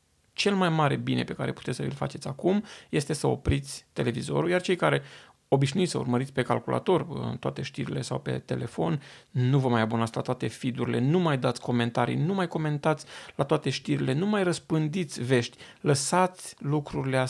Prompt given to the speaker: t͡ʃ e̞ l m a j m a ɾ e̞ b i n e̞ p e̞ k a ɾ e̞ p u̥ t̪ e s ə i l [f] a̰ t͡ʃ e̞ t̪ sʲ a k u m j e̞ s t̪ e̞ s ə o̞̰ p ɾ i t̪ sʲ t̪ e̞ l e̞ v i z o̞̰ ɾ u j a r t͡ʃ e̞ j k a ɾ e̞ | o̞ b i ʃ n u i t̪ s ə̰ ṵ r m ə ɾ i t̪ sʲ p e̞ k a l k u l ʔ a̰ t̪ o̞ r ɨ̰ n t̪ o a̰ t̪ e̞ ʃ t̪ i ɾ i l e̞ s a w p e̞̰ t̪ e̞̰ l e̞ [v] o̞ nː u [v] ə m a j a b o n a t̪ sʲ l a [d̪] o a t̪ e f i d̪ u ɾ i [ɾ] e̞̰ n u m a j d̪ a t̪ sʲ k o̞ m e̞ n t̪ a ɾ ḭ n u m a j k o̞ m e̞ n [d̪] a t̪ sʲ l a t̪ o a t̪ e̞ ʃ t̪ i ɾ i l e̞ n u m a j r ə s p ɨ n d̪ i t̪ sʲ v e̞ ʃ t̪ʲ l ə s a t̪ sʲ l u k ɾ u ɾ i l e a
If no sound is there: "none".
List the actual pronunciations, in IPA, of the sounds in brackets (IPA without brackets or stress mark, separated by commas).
f, f, v, t̪, l, t̪